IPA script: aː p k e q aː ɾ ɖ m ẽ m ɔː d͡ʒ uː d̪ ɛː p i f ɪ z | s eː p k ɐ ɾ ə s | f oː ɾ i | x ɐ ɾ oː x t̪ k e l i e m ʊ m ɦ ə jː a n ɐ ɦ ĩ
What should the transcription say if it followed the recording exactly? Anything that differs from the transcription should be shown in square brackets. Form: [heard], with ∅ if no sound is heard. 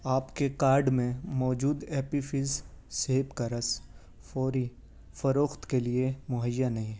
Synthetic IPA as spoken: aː p k e [k] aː ɾ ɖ m ẽ m ɔː d͡ʒ uː d̪ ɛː p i f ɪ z | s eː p k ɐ ɾ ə s | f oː ɾ i | [f] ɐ ɾ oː x t̪ k e l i e m ʊ [∅] ɦ ə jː a n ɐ ɦ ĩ

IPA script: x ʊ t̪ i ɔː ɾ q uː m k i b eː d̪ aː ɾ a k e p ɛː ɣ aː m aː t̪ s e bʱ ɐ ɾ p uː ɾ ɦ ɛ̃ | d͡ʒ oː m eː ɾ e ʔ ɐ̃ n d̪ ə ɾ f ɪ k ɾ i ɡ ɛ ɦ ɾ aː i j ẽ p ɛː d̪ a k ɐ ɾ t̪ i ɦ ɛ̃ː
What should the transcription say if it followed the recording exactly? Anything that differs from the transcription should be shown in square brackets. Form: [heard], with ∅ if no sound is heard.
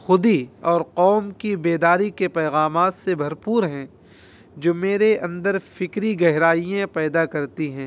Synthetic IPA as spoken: x ʊ [d̪] i ɔː ɾ q [ɔː] m k i b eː d̪ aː ɾ [i] k e p ɛː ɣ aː m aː t̪ s e bʱ ɐ ɾ p uː ɾ ɦ ɛ̃ | d͡ʒ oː m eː ɾ e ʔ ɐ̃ n d̪ ə ɾ f ɪ k ɾ i ɡ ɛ ɦ ɾ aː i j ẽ p ɛː d̪ a k ɐ ɾ t̪ i ɦ ɛ̃ː

